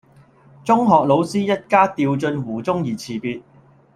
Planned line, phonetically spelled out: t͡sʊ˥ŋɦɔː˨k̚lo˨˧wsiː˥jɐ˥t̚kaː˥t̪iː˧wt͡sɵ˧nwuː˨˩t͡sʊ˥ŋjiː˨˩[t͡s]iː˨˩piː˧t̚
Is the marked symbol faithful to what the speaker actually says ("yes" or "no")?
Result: no